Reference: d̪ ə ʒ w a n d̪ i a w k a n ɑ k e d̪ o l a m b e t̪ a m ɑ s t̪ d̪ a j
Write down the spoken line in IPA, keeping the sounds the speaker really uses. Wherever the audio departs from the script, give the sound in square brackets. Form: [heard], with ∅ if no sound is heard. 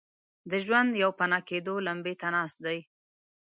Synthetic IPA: d̪ ə ʒ w a n d̪ [j] a w [p] a n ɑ k e d̪ o l a m b e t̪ a [n] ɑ s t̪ d̪ a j